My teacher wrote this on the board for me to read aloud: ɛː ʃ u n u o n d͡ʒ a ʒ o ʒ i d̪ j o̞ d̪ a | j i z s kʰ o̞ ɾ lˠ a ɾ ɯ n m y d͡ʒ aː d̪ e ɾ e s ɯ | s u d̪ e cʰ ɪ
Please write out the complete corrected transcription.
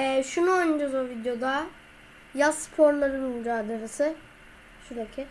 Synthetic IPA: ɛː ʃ u n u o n d͡ʒ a z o v i d̪ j o̞ d̪ a | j a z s pʰ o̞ ɾ lˠ a ɾ ɯ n m y d͡ʒ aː d̪ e ɾ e s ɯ | ʃ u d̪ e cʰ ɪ